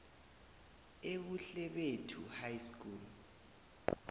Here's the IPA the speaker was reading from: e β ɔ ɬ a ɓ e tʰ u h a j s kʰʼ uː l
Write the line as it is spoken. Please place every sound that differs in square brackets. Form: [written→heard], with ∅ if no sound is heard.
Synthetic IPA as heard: e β [ɔ→u] ɬ [a→ɛ] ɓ e tʰ u h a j s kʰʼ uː l